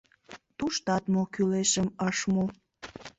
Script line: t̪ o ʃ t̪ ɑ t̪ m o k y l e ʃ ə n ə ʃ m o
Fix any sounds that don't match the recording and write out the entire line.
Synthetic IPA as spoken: t̪ u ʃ t̪ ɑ t̪ m o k y l e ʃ ə m ə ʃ m o

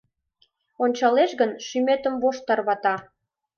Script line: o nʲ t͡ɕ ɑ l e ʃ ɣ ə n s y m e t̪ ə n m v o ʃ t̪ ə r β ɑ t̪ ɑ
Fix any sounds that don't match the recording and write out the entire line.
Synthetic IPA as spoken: o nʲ t͡ɕ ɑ l e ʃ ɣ ə n ʃ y m e t̪ ə m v o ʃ t̪ ɑ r β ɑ t̪ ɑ

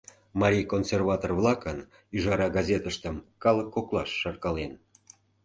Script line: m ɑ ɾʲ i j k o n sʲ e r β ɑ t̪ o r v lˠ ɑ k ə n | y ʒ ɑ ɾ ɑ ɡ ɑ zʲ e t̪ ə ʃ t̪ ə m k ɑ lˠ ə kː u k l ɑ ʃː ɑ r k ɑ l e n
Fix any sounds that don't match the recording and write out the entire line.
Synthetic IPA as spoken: m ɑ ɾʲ i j k o n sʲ e r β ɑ t̪ o r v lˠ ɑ k ə n | y ʒ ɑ ɾ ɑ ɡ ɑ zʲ e t̪ ə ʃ t̪ ə m k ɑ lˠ ə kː o k l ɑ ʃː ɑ r k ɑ l e n

